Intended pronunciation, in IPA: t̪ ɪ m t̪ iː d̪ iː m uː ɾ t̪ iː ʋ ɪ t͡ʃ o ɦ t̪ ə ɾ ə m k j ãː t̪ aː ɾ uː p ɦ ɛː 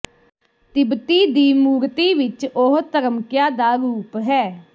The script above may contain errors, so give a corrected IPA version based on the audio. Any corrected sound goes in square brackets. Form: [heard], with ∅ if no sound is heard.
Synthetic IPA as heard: t̪ ɪ [b] t̪ iː d̪ iː m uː ɾ t̪ iː ʋ ɪ t͡ʃ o ɦ t̪ ə ɾ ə m k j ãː [d̪] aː ɾ uː p ɦ ɛː